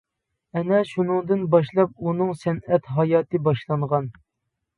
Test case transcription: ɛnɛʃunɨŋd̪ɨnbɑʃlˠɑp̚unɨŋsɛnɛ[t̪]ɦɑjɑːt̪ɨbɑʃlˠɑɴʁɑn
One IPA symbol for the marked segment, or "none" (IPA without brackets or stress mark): t̪